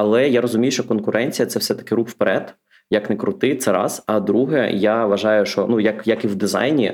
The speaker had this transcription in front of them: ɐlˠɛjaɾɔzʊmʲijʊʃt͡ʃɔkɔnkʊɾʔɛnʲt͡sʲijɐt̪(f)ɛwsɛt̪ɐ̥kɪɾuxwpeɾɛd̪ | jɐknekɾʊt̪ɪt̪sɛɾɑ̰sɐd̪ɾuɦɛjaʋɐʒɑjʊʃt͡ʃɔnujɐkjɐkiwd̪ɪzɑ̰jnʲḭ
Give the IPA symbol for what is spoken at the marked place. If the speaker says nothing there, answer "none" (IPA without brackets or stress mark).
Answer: s